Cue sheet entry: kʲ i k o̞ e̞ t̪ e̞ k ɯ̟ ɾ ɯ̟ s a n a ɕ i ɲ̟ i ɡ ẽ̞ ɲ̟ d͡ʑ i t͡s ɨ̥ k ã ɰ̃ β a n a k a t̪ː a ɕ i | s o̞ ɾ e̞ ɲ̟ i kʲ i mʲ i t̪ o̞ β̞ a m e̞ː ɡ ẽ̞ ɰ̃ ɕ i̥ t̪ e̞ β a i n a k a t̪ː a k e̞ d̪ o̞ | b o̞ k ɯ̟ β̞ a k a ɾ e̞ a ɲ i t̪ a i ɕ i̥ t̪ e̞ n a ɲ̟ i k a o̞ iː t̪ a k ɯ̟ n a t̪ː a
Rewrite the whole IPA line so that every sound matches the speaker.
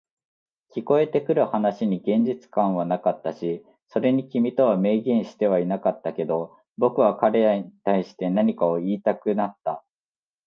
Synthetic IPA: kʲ i k o̞ e̞ t̪ e̞ k ɯ̟ ɾ ɯ̟ h a n a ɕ i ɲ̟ i ɡ ẽ̞ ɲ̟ d͡ʑ i t͡s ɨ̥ k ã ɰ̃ β a n a k a t̪ː a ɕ i | s o̞ ɾ e̞ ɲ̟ i kʲ i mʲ i t̪ o̞ β̞ a m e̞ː ɡ ẽ̞ ɰ̃ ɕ i̥ t̪ e̞ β a i n a k a t̪ː a k e̞ d̪ o̞ | b o̞ k ɯ̟ β̞ a k a ɾ e̞ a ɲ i t̪ a i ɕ i̥ t̪ e̞ n a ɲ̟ i k a o̞ iː t̪ a k ɯ̟ n a t̪ː a